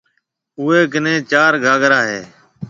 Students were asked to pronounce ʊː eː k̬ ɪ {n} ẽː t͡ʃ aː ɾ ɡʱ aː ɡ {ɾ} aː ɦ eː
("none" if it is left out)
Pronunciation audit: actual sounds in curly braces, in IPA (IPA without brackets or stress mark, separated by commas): n, ɾ